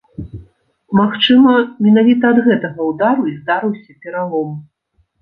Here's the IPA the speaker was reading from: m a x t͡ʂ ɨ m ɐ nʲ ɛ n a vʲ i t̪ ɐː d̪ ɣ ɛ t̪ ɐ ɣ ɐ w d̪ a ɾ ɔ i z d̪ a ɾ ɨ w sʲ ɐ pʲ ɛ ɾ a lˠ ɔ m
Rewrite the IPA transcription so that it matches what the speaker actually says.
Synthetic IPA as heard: m a x t͡ʂ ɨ m ɐ mʲ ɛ n a vʲ i t̪ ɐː d̪ ɣ ɛ t̪ ɐ ɣ ɐ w d̪ a ɾ u i z d̪ a ɾ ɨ w sʲ ɐ pʲ ɛ ɾ a lˠ ɔ m